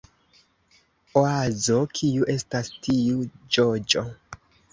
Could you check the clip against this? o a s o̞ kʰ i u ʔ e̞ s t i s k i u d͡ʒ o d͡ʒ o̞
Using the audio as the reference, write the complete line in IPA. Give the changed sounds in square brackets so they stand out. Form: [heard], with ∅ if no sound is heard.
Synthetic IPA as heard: o a [z] o̞ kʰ i u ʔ e̞ s t [a] s [t] i u d͡ʒ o d͡ʒ o̞